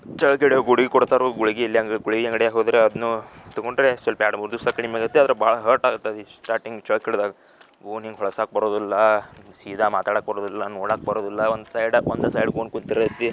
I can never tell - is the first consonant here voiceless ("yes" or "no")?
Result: yes